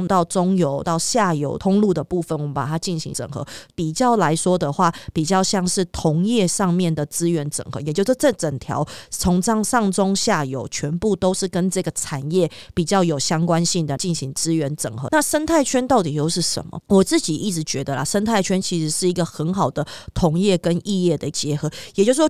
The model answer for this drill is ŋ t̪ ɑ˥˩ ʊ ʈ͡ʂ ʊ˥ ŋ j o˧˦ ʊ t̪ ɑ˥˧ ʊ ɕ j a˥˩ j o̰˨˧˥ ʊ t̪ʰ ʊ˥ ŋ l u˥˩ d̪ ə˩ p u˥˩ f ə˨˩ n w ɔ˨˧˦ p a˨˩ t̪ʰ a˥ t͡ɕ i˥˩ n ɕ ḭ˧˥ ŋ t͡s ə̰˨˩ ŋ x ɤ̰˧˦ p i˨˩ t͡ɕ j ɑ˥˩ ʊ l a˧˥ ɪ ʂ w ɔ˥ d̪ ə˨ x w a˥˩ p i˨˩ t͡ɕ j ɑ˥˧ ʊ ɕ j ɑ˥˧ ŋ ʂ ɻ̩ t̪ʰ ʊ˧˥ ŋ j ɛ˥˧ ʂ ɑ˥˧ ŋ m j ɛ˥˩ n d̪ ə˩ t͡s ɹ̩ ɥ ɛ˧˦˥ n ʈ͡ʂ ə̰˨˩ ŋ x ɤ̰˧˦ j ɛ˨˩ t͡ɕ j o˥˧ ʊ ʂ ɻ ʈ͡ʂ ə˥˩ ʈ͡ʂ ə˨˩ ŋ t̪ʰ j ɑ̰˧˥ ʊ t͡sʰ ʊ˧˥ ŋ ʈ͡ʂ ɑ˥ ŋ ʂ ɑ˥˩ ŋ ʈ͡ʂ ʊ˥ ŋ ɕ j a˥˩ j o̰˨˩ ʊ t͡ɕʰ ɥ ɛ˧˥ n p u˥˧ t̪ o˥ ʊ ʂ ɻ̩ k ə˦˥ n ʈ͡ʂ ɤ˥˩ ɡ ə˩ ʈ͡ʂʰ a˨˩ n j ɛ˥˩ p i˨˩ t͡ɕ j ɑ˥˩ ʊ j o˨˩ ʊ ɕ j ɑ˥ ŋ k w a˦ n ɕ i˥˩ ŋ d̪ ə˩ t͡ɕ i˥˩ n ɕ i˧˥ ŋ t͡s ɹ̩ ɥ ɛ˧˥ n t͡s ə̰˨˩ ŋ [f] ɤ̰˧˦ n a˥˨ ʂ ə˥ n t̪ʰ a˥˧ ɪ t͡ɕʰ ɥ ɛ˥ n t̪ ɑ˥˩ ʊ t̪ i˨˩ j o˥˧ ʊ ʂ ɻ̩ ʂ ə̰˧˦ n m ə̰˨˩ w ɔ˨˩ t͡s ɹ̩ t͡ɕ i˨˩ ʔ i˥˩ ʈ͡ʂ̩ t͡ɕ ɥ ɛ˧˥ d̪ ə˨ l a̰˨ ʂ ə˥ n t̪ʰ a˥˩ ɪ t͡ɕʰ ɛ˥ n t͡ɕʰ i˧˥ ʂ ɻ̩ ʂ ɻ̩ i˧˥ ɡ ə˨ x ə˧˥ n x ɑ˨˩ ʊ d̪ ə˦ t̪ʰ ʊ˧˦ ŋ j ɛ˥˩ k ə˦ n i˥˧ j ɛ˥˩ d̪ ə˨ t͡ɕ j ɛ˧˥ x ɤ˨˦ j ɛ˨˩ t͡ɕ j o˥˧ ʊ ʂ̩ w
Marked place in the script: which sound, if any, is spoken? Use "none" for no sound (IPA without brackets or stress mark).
x